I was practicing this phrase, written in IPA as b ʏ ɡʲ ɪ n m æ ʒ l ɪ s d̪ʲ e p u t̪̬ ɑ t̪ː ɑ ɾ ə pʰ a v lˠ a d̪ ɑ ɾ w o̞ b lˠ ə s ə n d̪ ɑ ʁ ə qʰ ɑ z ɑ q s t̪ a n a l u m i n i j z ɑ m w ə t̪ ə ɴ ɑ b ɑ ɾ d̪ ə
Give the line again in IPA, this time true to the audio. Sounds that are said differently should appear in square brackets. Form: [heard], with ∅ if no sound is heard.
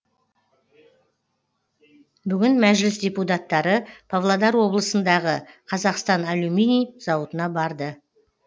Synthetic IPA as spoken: b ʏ ɡʲ ɪ n m æ ʒ l ɪ s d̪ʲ e p u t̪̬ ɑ t̪ː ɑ ɾ ə pʰ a v lˠ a d̪ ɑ ɾ w o̞ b lˠ ə s ə n d̪ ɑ ʁ ə qʰ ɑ z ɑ q s t̪ [ɑ] n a l u m i n i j z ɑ [∅] w ə t̪ ə [n] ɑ b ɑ ɾ d̪ ə